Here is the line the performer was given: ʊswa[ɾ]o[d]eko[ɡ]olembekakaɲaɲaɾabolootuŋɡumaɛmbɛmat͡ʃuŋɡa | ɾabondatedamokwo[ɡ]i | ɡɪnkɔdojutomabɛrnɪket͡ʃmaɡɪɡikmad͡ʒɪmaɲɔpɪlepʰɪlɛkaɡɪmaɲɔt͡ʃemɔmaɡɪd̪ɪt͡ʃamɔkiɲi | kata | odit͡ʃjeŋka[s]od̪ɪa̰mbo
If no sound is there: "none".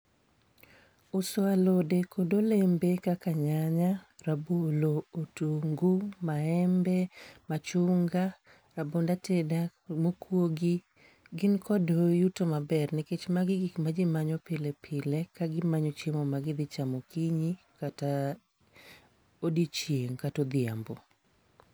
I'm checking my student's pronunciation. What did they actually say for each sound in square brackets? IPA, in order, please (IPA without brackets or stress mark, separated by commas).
l, d, d, ɡ, t